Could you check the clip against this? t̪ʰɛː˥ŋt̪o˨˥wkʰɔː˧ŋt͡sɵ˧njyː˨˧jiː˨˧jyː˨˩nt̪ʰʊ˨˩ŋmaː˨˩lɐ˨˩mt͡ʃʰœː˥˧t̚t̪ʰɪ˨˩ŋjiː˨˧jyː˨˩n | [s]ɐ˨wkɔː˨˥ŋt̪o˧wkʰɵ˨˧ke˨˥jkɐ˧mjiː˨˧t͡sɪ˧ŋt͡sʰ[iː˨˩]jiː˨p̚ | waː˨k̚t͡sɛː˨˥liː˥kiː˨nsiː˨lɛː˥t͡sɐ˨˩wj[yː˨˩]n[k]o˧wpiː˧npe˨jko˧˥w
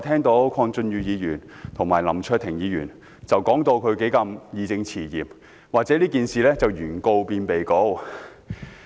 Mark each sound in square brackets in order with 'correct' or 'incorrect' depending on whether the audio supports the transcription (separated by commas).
incorrect, correct, correct, correct